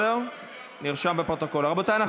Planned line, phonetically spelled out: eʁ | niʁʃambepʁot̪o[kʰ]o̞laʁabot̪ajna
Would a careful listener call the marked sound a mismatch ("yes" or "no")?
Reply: yes